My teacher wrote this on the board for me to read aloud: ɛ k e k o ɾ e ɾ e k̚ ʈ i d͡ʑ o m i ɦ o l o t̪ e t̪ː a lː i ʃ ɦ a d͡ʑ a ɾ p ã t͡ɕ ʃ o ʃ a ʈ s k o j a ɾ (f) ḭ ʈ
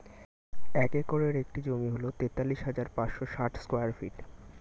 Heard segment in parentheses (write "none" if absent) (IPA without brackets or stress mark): f